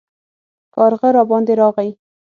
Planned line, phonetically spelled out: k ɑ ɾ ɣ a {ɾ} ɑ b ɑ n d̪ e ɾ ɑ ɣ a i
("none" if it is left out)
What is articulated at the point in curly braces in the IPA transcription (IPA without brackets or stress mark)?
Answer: ɾ